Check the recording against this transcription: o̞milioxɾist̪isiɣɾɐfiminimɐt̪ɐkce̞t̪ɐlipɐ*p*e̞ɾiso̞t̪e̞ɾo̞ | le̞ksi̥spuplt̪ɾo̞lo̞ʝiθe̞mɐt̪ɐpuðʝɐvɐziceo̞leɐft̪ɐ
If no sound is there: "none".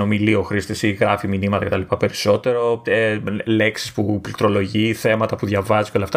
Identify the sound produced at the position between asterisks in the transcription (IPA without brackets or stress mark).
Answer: p